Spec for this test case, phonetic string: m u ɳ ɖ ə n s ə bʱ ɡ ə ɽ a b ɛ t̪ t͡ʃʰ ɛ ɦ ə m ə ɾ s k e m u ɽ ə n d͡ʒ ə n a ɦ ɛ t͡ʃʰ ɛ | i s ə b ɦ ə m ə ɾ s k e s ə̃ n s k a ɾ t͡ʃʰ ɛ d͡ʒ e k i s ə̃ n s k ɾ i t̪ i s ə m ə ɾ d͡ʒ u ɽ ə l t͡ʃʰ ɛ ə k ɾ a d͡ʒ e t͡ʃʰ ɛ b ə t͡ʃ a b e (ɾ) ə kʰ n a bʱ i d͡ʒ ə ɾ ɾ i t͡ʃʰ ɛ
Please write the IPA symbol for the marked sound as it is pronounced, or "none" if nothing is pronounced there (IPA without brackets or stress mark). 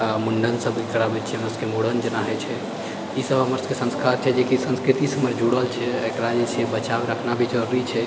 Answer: ɾ